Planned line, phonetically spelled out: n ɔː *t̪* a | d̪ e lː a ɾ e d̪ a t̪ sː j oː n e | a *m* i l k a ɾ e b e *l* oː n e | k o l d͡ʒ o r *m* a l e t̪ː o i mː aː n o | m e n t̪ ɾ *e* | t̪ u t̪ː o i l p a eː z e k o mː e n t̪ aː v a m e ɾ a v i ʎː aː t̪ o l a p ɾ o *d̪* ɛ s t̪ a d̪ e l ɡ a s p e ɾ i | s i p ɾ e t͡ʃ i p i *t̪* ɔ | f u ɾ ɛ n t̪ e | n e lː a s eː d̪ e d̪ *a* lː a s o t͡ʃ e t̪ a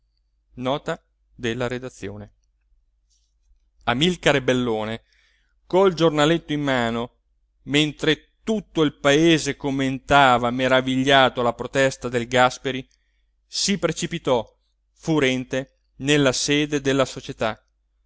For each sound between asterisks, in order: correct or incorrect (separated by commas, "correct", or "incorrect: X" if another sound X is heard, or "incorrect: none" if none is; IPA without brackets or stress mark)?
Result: correct, correct, incorrect: lː, incorrect: n, correct, incorrect: t̪, correct, incorrect: e